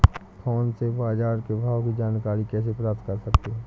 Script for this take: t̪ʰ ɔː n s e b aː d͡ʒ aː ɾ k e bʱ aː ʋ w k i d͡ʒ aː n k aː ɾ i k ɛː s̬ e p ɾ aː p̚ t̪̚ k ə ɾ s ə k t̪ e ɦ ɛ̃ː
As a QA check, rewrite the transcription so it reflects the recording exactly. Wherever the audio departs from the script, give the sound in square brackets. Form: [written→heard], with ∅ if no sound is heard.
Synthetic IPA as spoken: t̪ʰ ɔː n s e b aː d͡ʒ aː ɾ k e bʱ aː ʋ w k i d͡ʒ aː n k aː ɾ i k ɛː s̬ e p ɾ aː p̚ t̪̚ k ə ɾ s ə k t̪ e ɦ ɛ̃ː